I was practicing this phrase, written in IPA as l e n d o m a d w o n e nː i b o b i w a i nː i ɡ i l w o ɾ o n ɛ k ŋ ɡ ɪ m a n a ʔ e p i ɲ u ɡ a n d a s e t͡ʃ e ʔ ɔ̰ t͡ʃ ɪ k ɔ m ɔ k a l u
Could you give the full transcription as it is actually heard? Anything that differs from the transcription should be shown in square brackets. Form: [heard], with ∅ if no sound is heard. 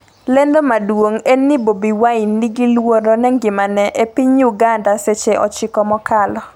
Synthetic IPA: l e n d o m a d w o [ŋ] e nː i b o b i w a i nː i ɡ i l w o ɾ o n ɛ [∅] ŋ ɡ ɪ m a n [ɛ] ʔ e p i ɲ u ɡ a n d a s e t͡ʃ e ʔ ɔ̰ t͡ʃ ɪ k ɔ m ɔ k a l [ɔ]